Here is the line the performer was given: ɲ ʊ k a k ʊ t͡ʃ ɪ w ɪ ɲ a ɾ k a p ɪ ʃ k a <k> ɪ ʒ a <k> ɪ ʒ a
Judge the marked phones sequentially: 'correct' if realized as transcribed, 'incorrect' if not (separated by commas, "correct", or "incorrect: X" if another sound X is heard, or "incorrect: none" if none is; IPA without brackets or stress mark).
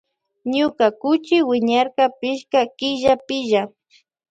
correct, incorrect: p